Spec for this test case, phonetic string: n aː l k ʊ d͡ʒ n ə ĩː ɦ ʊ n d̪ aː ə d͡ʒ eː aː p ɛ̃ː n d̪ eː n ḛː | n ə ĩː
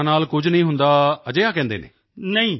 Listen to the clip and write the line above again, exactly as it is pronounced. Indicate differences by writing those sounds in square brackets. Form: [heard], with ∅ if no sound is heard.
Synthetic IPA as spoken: n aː l k ʊ d͡ʒ n ə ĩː ɦ ʊ n d̪ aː ə d͡ʒ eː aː [k] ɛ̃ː n d̪ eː n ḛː | n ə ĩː